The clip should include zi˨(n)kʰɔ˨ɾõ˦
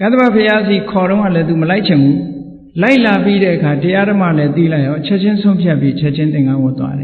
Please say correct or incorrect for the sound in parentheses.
incorrect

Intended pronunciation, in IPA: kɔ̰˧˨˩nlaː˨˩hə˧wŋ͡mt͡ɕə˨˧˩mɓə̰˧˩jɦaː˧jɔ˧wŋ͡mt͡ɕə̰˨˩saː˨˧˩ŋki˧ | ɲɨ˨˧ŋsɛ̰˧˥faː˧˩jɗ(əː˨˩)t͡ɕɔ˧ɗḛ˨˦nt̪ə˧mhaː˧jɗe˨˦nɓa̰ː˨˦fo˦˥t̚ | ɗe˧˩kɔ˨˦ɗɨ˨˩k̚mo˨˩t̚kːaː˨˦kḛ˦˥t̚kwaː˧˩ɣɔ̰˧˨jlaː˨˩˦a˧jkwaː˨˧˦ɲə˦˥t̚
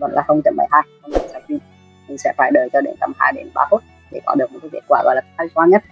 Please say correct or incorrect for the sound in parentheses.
correct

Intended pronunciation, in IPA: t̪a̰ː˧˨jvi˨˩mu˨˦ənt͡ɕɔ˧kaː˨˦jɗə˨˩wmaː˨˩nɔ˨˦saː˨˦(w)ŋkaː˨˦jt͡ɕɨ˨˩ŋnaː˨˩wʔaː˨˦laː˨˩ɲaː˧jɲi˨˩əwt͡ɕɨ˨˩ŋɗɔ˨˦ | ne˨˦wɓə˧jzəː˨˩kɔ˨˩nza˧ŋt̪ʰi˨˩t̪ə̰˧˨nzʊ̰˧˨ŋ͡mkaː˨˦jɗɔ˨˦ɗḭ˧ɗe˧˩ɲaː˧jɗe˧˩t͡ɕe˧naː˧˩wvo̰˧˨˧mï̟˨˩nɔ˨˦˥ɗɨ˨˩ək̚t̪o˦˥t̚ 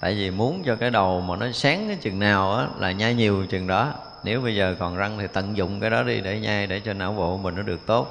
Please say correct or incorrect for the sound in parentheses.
incorrect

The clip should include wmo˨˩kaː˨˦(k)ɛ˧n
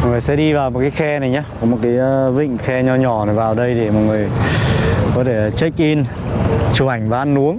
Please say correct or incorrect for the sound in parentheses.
incorrect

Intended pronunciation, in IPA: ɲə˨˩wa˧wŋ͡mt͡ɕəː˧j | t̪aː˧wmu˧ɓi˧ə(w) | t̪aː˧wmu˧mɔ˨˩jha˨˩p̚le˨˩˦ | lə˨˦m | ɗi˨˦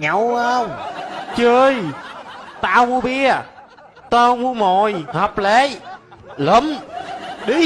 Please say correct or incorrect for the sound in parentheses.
incorrect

